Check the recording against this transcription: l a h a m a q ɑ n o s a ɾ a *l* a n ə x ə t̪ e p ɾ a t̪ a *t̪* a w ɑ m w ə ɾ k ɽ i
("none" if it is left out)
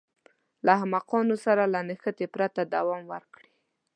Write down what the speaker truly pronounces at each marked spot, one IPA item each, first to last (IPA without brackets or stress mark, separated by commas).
l, d̪